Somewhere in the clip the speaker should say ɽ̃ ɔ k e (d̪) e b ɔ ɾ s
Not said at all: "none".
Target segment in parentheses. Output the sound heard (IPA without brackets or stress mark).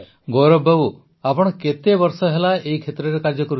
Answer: t̪